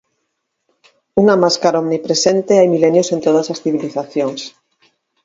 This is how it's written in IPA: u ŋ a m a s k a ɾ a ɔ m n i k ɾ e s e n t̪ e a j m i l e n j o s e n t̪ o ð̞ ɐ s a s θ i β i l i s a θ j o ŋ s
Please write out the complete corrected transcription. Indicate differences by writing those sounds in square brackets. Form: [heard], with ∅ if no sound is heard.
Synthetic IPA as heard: u ŋ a m a s k a ɾ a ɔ m n i [p] ɾ e s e n t̪ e a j m i l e n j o s e n t̪ o ð̞ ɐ s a s θ i β i l i [θ] a θ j o ŋ s